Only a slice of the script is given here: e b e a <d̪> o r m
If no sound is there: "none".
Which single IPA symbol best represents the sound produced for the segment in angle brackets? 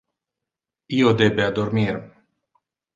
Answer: d̪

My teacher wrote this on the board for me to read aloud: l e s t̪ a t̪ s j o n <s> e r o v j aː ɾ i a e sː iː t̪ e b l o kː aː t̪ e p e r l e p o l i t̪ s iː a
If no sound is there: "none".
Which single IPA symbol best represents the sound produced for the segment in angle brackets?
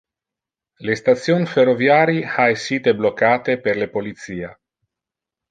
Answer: f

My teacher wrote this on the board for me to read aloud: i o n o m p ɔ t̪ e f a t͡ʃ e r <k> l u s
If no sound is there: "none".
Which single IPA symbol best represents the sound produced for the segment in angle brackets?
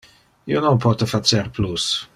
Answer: p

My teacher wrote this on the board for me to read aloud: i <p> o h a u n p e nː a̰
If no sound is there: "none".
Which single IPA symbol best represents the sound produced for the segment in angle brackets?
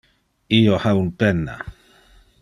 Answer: none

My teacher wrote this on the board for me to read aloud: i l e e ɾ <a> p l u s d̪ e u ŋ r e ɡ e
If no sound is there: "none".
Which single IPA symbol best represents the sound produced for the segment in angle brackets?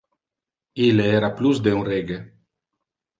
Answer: a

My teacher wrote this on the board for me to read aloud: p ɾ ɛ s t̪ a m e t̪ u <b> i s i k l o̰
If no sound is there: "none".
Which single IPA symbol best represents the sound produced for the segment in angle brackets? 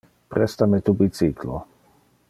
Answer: b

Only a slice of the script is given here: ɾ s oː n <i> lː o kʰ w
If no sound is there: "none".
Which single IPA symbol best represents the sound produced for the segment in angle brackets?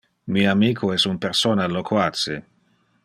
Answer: a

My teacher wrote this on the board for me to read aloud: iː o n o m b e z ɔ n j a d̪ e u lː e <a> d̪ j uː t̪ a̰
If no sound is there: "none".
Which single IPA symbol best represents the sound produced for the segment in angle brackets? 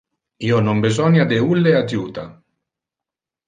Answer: a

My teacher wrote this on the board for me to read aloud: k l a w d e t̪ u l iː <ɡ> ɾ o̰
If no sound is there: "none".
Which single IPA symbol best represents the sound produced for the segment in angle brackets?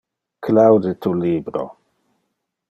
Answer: b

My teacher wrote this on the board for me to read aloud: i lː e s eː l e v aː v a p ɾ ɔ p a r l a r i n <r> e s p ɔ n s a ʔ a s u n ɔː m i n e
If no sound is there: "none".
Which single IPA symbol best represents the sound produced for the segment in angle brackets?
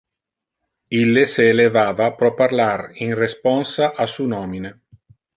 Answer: r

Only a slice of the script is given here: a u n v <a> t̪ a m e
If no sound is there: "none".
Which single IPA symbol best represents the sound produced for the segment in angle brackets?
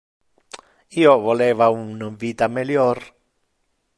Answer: i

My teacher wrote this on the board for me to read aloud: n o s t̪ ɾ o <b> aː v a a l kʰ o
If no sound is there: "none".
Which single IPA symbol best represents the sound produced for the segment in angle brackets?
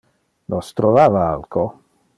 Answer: v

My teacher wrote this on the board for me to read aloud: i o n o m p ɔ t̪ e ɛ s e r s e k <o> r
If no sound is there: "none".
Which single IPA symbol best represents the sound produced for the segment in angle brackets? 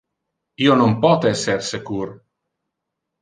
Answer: u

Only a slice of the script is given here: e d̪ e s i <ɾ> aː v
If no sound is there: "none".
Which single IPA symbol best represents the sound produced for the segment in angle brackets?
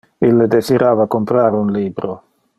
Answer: ɾ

